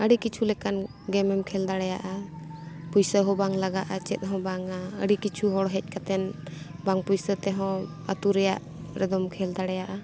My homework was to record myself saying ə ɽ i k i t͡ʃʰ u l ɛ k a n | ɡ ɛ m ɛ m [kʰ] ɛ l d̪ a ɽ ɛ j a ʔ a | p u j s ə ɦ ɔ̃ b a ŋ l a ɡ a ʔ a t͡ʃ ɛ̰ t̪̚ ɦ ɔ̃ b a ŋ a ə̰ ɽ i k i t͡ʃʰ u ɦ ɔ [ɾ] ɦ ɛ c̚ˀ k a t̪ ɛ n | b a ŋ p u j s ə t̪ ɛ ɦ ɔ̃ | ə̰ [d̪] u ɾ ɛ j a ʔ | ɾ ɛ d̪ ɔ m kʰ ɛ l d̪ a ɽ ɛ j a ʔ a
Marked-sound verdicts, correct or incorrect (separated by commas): correct, incorrect, incorrect